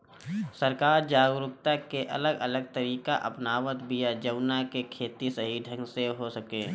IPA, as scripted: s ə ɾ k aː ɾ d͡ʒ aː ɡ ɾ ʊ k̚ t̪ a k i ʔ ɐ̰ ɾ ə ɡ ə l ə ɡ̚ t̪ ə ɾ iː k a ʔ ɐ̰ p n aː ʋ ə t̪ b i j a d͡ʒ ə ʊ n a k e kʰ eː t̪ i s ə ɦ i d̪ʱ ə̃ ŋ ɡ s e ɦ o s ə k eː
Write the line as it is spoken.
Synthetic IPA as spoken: s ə ɾ k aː ɾ d͡ʒ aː ɡ ɾ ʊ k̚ t̪ a k e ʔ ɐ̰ l ə ɡ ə l ə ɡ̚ t̪ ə ɾ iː k a ʔ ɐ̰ p n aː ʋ ə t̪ b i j a d͡ʒ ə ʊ n a k e kʰ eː t̪ i s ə ɦ i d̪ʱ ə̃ ŋ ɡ s e ɦ o s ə k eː